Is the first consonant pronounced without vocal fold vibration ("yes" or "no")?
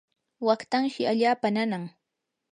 no